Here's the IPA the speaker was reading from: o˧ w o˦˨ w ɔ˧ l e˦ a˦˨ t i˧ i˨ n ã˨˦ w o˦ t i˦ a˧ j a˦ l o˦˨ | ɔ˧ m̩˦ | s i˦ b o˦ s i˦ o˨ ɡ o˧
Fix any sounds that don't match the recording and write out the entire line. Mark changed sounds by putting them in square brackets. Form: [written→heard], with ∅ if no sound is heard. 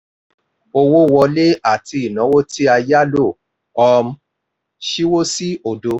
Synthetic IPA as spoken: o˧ w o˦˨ w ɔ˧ l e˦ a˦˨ t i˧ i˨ n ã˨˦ w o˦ t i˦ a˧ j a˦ l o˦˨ | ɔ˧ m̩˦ | [s→ʃ] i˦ [b→w] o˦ s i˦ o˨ [ɡ→d] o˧